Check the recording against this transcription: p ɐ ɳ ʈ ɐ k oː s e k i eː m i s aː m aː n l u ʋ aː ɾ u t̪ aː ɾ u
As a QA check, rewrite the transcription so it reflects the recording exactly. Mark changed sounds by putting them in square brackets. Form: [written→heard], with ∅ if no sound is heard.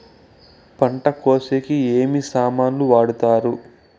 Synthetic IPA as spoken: p ɐ ɳ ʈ ɐ k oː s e k i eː m i s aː m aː n l u ʋ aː [ɾ→ɽ] u t̪ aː ɾ u